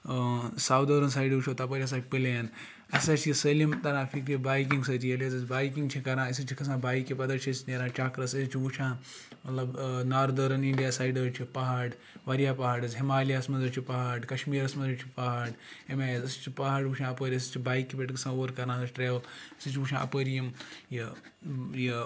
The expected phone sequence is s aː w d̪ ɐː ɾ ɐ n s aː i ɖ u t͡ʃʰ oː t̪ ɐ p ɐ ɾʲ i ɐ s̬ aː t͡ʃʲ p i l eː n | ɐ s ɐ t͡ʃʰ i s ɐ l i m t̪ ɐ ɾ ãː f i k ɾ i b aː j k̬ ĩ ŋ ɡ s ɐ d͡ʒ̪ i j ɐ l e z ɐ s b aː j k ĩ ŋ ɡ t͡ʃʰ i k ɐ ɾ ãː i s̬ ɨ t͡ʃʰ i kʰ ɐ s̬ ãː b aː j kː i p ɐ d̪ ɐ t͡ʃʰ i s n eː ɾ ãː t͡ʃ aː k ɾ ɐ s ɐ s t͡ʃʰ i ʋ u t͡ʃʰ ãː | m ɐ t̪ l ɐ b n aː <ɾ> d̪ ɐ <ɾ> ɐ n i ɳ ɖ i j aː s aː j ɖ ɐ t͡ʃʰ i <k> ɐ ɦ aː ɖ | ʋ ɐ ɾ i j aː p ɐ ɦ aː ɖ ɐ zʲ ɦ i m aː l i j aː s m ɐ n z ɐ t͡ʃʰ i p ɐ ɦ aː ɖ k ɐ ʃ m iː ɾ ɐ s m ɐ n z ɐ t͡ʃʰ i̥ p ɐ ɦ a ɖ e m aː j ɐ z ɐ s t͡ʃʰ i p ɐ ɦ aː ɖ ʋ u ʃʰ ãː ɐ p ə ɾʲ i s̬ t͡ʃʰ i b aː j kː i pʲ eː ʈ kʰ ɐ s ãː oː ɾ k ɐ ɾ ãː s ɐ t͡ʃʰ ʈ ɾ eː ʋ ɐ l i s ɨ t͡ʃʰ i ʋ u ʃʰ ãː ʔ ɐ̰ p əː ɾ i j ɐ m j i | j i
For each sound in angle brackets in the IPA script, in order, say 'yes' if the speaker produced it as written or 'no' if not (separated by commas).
yes, yes, no